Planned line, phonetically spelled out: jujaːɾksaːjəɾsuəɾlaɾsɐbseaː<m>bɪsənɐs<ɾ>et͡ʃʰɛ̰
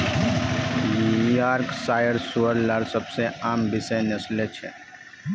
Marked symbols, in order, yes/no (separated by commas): yes, no